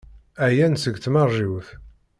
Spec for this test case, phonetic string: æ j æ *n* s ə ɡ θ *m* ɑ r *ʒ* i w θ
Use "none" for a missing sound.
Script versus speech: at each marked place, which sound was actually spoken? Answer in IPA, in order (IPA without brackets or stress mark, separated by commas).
n, m, ʒ